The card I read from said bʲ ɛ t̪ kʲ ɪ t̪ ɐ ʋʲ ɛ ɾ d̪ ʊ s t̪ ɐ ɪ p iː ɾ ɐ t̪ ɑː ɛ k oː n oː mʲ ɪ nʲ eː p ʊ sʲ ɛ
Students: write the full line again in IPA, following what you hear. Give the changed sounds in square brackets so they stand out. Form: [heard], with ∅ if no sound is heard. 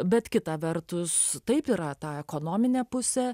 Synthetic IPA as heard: bʲ ɛ t̪ kʲ ɪ t̪ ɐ ʋʲ ɛ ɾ [t̪] ʊ s t̪ ɐ ɪ p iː ɾ ɐ t̪ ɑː ɛ k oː n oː mʲ ɪ nʲ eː p ʊ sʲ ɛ